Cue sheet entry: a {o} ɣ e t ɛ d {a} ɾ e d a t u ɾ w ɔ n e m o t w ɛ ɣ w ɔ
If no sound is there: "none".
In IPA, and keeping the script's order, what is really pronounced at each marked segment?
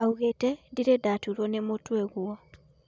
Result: u, i

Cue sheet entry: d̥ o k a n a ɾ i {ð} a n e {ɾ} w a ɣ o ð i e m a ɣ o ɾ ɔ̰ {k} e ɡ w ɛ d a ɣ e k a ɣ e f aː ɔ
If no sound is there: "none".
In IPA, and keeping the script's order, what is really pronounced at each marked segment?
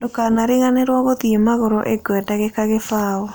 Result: ɣ, ɾ, ʔ

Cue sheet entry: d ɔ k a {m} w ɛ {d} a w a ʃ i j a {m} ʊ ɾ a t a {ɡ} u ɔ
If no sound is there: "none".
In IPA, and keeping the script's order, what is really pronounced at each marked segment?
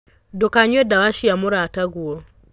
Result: ɲ, d, m, ɡ

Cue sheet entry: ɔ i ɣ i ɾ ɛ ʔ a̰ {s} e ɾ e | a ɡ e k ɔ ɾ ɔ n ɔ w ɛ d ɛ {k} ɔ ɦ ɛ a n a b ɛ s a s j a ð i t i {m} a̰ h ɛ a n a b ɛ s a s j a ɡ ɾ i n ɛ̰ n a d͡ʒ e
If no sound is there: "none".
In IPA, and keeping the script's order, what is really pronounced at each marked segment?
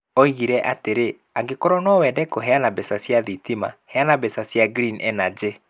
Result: t, k, m

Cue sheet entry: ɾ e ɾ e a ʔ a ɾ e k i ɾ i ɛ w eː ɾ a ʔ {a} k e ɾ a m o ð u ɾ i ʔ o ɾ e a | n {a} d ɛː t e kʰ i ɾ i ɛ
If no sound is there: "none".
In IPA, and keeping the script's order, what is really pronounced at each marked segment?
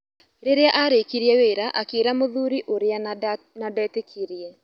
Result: a, a

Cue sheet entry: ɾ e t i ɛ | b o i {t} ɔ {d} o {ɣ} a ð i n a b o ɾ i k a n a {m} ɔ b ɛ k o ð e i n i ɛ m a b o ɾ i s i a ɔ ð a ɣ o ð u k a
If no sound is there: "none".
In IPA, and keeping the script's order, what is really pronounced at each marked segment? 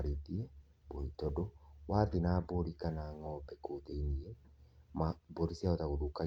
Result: t, d, w, ŋ

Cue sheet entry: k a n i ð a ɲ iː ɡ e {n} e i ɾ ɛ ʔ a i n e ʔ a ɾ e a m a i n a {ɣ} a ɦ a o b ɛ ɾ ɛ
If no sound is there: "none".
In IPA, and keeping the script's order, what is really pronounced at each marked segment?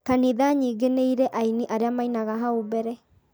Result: n, ɣ

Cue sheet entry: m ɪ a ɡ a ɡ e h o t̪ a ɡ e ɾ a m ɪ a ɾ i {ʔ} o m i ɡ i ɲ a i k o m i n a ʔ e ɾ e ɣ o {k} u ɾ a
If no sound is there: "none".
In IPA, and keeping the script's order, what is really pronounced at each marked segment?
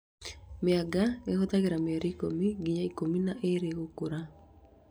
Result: k, k

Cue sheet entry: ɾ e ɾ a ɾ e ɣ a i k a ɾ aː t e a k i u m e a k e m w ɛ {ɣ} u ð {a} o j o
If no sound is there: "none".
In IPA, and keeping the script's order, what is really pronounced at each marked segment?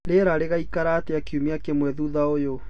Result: ð, a

